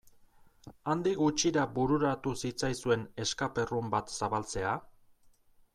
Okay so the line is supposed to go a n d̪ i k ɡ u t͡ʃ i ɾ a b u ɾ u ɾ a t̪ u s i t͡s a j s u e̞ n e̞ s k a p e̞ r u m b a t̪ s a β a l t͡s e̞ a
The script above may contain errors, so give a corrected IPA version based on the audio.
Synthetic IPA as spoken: a n d̪ i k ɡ u t͡ʃ i ɾ a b u ɾ u ɾ a t̪ u s i t͡s a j s u e̞ n e̞ s k a p e̞ r u m b a t̪ s a β a l t͡s e̞ a